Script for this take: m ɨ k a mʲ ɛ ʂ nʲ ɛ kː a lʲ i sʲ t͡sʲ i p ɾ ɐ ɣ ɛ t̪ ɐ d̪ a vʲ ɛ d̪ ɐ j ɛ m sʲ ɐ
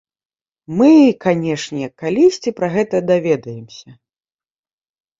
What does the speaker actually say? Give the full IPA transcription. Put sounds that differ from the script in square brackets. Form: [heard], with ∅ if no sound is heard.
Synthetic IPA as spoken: m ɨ k a [nʲ] ɛ ʂ nʲ ɛ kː a lʲ i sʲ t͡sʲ i p ɾ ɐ ɣ ɛ t̪ ɐ d̪ a vʲ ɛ d̪ ɐ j ɛ m sʲ ɐ